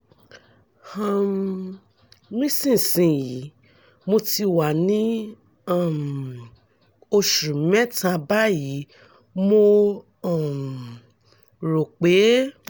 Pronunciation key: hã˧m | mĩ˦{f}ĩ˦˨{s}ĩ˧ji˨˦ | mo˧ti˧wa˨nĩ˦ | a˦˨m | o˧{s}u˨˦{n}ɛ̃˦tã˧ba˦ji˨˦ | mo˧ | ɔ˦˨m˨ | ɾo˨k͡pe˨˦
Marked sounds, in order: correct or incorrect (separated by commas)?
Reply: incorrect, correct, incorrect, incorrect